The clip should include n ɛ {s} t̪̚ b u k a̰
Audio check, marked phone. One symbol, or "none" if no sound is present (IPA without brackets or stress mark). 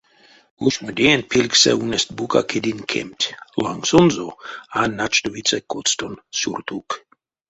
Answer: s